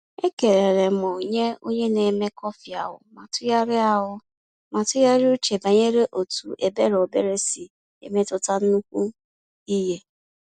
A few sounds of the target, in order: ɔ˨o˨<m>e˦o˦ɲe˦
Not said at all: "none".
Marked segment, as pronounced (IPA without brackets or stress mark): ɲ